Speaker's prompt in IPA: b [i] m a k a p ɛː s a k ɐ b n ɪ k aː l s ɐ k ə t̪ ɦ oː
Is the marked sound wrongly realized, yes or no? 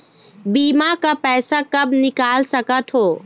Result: yes